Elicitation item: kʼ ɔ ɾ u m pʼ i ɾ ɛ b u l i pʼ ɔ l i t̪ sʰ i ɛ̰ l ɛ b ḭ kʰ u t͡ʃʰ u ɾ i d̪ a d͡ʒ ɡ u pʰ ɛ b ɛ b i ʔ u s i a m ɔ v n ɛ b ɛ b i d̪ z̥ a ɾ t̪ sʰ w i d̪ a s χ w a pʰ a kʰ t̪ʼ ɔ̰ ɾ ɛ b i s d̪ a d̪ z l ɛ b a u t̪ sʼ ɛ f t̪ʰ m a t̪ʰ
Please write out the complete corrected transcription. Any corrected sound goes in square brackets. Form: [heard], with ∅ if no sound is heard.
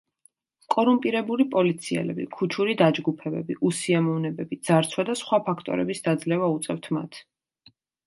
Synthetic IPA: kʼ ɔ ɾ u m pʼ i ɾ ɛ b u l i pʼ ɔ l i t̪ sʰ i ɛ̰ l ɛ b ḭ kʰ u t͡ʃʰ u ɾ i d̪ a d͡ʒ ɡ u pʰ ɛ b ɛ b i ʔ u s i a m ɔ v n ɛ b ɛ b i d̪ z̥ a ɾ t̪ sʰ w [a] d̪ a s χ w a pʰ a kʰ t̪ʼ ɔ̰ ɾ ɛ b i s d̪ a d̪ z l ɛ [v] a u t̪ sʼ ɛ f t̪ʰ m a t̪ʰ

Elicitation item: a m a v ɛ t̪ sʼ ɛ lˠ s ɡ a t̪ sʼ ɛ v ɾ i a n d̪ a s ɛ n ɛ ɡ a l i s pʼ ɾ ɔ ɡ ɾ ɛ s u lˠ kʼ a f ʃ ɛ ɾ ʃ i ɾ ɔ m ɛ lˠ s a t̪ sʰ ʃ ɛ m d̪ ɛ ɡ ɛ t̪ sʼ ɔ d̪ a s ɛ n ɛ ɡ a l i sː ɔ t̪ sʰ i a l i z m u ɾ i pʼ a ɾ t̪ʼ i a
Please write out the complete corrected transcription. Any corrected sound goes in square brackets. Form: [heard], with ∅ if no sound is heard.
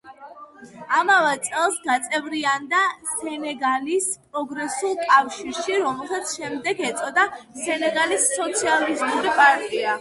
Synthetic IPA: a m a v ɛ t̪ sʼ ɛ lˠ s ɡ a t̪ sʼ ɛ v ɾ i a n d̪ a s ɛ n ɛ ɡ a l i s pʼ ɾ ɔ ɡ ɾ ɛ s u lˠ kʼ a f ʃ [i] ɾ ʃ i ɾ ɔ m ɛ lˠ s a t̪ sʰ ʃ ɛ m d̪ ɛ ɡ ɛ t̪ sʼ ɔ d̪ a s ɛ n ɛ ɡ a l i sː ɔ t̪ sʰ i a l i z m u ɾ i pʼ a ɾ t̪ʼ i a

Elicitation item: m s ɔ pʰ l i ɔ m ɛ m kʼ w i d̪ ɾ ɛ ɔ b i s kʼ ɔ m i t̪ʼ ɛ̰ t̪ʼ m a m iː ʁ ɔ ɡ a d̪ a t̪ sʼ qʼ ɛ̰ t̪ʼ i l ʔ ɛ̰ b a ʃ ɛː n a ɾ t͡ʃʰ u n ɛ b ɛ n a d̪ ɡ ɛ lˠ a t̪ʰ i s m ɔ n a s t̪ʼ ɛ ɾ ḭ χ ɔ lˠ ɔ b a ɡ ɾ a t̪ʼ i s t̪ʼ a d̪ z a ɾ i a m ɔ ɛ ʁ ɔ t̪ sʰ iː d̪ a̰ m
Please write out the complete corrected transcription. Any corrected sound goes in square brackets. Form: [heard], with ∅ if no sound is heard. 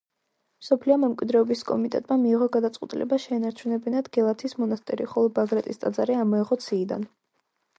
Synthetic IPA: m s ɔ pʰ l i ɔ m ɛ m kʼ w i d̪ ɾ ɛ ɔ b i s kʼ ɔ m i t̪ʼ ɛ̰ t̪ʼ m a m iː ʁ ɔ ɡ a d̪ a t̪ sʼ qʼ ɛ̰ t̪ʼ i l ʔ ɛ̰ b a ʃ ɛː n a ɾ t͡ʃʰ u n ɛ b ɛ n a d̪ ɡ ɛ lˠ a t̪ʰ i s m ɔ n a s t̪ʼ ɛ ɾ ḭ χ ɔ lˠ ɔ b a ɡ ɾ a t̪ʼ i s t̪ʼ a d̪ z a ɾ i a m ɔ ɛ ʁ ɔ t̪ sʰ iː d̪ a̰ [n]

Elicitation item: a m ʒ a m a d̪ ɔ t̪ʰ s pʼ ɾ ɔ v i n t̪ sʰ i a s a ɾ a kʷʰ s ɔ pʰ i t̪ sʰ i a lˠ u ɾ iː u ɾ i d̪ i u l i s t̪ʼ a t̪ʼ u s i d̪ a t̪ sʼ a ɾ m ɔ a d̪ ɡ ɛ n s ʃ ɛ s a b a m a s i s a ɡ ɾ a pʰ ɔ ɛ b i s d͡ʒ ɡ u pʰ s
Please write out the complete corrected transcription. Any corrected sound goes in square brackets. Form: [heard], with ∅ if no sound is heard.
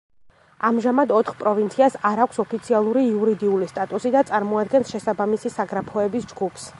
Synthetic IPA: a m ʒ a m a d̪ ɔ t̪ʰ [χ] pʼ ɾ ɔ v i n t̪ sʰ i a s a ɾ a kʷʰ s ɔ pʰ i t̪ sʰ i a lˠ u ɾ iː u ɾ i d̪ i u l i s t̪ʼ a t̪ʼ u s i d̪ a t̪ sʼ a ɾ m ɔ a d̪ ɡ ɛ n s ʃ ɛ s a b a m [i] s i s a ɡ ɾ a pʰ ɔ ɛ b i s d͡ʒ ɡ u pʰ s

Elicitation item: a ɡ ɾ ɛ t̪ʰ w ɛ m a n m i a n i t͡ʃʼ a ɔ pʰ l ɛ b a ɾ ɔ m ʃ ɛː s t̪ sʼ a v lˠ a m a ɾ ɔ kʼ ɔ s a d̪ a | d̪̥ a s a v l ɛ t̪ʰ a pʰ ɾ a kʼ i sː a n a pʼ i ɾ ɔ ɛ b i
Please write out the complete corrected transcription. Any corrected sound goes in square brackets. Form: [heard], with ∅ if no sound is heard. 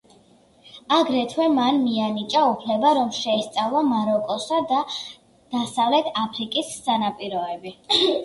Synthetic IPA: a ɡ ɾ ɛ t̪ʰ w ɛ m a n m i a n i t͡ʃʼ a [u] pʰ l ɛ b a ɾ ɔ m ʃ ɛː s t̪ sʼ a v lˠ a m a ɾ ɔ kʼ ɔ s a d̪ a | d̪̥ a s a v l ɛ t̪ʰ a pʰ ɾ [i] kʼ i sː a n a pʼ i ɾ ɔ ɛ b i

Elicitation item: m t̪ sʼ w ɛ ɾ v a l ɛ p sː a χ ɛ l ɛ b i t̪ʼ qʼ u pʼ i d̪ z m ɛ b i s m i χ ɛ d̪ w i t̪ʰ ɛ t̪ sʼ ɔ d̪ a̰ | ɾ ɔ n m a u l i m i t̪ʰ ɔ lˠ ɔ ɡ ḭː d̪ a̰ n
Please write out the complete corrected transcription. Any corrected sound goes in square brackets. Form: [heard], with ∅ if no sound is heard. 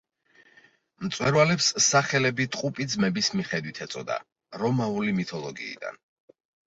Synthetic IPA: m t̪ sʼ w ɛ ɾ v a l ɛ p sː a χ ɛ l ɛ b i t̪ʼ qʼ u pʼ i d̪ z m ɛ b i s m i χ ɛ d̪ w i t̪ʰ ɛ t̪ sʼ ɔ d̪ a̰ | ɾ ɔ [∅] m a u l i m i t̪ʰ ɔ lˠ ɔ ɡ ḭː d̪ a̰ n

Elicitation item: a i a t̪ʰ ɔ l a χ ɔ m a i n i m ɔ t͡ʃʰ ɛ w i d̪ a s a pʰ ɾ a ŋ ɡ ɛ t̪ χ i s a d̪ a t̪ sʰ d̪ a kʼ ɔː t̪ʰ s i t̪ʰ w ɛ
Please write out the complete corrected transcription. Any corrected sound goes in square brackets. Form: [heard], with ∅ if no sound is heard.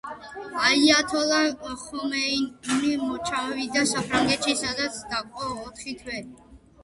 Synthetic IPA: a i a t̪ʰ ɔ l a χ ɔ m [ɛ] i n i m ɔ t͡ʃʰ [a] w i d̪ a s a pʰ ɾ a ŋ ɡ ɛ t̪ [ʃ] i s a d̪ a t̪ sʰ d̪ a kʼ ɔː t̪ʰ [χ] i t̪ʰ w ɛ

